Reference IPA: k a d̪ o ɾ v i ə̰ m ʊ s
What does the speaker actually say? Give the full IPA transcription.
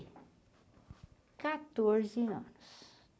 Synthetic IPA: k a t̪ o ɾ z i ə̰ n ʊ s